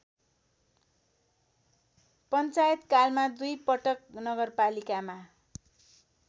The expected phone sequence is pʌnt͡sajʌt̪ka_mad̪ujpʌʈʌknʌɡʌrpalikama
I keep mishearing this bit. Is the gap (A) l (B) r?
A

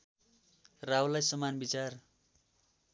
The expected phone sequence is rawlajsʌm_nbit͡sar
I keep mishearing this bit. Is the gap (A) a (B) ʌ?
A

